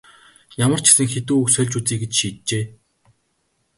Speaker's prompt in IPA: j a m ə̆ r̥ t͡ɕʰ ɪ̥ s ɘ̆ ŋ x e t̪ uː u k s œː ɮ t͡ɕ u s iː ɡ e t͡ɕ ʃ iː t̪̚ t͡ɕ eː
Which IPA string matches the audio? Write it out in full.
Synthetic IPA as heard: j a m ə̆ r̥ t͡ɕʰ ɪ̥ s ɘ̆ ŋ x e t̪ uː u k s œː ɮ t͡ɕ u t͡s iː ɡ e t͡ɕ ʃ iː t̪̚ t͡ɕ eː